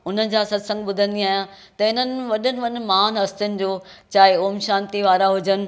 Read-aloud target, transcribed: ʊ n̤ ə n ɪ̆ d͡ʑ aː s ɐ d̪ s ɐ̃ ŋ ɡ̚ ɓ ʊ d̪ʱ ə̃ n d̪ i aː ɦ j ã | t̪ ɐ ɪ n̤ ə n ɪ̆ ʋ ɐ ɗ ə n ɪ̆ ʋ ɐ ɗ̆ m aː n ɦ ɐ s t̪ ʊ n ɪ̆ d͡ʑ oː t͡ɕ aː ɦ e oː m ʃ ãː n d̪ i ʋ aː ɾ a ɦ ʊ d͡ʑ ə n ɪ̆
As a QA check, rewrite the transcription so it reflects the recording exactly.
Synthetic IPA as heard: ʊ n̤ ə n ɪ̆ d͡ʑ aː s ɐ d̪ s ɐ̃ ŋ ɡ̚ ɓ ʊ d̪ʱ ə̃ n d̪ i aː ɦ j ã | t̪ ɐ ɪ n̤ ə n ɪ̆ ʋ ɐ ɗ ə n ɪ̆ ʋ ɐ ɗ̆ m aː n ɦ ɐ s t̪ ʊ n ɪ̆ d͡ʑ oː t͡ɕ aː ɦ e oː m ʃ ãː n t̪ i ʋ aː ɾ a ɦ ʊ d͡ʑ ə n ɪ̆

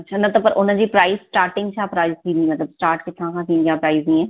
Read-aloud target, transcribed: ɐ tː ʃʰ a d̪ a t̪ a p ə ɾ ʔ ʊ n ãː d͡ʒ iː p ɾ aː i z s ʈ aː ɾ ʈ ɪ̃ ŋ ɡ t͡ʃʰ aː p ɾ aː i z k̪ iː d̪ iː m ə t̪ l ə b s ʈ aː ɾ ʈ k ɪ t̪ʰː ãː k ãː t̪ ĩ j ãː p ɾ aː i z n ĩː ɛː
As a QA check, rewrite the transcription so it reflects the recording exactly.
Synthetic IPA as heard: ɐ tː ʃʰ a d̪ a t̪ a p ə ɾ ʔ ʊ n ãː d͡ʒ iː p ɾ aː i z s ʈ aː ɾ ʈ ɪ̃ ŋ ɡ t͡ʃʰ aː p ɾ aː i z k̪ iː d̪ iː m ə t̪ l ə b s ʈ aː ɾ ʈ k ɪ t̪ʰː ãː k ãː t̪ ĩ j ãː p ɾ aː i z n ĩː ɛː

